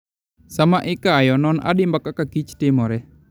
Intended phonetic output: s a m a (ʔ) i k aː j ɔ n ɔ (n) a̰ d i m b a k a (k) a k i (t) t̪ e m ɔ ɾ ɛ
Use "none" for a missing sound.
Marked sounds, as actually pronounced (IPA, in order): ʔ, n, k, t͡ʃ

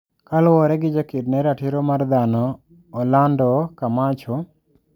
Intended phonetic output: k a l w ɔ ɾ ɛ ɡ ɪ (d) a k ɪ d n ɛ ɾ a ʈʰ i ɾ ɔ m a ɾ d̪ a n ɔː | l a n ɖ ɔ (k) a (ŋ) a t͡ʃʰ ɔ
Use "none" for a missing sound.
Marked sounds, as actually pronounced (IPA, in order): d͡ʒ, k, m

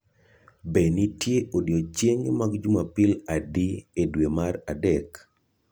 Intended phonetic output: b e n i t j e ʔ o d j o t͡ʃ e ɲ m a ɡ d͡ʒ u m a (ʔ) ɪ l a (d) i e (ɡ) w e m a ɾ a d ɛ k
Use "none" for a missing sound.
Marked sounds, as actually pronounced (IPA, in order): p, d, d

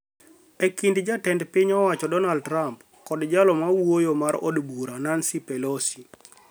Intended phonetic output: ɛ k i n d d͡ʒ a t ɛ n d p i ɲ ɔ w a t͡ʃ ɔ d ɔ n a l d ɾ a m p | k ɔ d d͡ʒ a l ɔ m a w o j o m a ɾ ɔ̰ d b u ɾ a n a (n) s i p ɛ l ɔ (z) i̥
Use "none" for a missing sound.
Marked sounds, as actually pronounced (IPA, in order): n, s

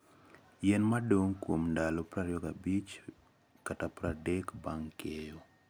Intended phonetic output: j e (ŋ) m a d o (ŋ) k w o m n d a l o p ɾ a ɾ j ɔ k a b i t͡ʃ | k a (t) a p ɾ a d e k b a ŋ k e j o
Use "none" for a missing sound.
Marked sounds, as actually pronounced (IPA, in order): n, ŋ, t

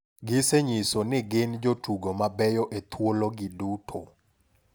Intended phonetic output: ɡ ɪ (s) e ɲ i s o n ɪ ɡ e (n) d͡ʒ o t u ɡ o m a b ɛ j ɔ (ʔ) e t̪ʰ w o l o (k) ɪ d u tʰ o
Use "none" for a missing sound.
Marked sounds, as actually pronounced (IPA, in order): s, n, ʔ, ɡ

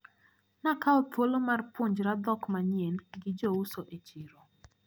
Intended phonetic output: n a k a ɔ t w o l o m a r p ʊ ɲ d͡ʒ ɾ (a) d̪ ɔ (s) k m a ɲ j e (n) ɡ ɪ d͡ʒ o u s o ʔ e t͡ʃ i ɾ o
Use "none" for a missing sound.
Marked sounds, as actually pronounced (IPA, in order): a, none, n

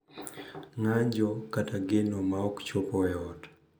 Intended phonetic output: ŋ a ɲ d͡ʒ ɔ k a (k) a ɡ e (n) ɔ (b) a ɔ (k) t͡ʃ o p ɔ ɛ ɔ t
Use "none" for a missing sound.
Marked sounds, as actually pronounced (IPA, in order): t, n, m, k

